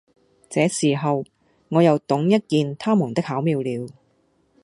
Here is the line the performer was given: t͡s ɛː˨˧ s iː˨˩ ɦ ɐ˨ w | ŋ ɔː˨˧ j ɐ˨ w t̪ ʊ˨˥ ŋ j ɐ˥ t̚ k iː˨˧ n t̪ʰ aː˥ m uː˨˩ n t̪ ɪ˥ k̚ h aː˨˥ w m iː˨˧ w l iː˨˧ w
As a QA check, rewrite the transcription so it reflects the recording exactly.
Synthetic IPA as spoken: t͡s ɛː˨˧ s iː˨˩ ɦ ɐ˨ w | ŋ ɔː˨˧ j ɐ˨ w t̪ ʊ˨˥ ŋ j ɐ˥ t̚ k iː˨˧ n t̪ʰ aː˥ m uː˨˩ n t̪ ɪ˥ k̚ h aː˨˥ w m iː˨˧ w l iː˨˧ w